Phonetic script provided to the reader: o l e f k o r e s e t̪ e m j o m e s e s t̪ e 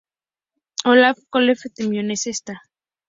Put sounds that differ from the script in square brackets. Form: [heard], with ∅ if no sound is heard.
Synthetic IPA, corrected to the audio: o l [a] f k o [l] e [f] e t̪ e m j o [n] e s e s t̪ [a]